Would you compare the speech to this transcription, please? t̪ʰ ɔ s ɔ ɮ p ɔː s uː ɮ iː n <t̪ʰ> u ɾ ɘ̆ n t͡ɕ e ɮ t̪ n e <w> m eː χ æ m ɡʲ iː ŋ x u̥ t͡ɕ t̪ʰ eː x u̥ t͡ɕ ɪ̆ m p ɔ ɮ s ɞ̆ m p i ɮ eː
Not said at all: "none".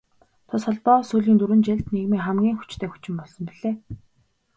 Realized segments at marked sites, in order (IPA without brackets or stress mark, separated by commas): t̪, ɣ